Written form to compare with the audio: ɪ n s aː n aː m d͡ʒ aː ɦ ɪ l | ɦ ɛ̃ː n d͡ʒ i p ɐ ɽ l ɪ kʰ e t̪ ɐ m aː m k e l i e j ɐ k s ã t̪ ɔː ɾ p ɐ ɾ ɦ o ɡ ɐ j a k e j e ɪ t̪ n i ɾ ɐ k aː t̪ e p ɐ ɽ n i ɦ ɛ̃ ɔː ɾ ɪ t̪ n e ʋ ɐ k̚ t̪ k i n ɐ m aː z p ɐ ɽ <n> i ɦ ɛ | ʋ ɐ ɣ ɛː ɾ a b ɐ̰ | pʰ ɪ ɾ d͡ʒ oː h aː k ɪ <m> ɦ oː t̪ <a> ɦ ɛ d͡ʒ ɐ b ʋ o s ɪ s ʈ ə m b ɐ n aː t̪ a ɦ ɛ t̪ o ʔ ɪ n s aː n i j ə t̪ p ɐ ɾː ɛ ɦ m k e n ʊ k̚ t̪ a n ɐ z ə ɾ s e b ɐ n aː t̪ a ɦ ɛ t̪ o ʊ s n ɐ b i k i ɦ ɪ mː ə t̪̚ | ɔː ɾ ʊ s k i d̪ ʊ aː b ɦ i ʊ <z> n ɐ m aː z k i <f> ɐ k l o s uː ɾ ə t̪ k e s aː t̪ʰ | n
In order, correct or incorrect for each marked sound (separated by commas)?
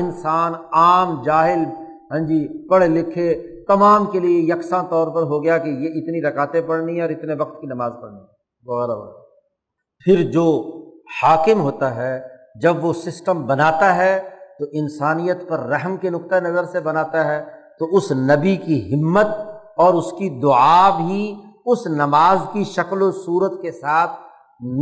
correct, correct, correct, incorrect, incorrect